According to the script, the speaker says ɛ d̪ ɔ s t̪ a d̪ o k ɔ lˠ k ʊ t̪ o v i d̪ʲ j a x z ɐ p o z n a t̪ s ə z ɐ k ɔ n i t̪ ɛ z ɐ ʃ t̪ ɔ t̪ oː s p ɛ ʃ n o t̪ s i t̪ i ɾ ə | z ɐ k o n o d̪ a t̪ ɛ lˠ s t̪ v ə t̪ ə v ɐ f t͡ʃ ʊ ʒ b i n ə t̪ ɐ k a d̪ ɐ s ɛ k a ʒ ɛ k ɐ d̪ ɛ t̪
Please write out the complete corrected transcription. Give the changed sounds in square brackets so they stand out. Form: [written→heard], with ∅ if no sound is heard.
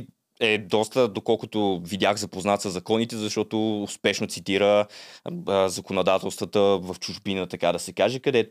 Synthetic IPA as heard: ɛ d̪ ɔ s t̪ [a→ə] d̪ o k ɔ lˠ k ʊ t̪ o v i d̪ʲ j a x z ɐ p o z n a t̪ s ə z ɐ k ɔ n i t̪ ɛ z ɐ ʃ t̪ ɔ t̪ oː s p ɛ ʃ n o t̪ s i t̪ i ɾ ə | z ɐ k o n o d̪ a t̪ ɛ lˠ s t̪ v ə t̪ ə v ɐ f t͡ʃ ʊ ʒ b i n ə t̪ ɐ k a d̪ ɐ s ɛ k a ʒ ɛ k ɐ d̪ ɛ t̪